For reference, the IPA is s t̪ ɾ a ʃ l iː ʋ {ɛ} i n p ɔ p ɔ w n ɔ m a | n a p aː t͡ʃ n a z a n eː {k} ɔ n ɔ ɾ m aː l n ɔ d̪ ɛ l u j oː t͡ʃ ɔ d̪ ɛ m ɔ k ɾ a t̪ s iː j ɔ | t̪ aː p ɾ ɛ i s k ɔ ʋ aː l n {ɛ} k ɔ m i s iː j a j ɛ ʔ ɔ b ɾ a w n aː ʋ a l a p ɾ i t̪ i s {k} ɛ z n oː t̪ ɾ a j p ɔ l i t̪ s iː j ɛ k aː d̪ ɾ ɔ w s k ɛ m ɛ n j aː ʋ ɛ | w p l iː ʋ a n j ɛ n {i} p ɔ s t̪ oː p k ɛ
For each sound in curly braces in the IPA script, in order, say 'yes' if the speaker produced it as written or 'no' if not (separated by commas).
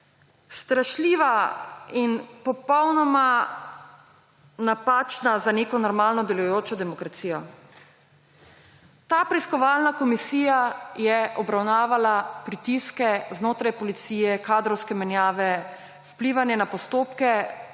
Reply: no, yes, no, yes, no